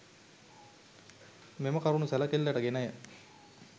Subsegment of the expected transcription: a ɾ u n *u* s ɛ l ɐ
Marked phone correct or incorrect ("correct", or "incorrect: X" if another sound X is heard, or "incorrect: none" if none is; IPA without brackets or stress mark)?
correct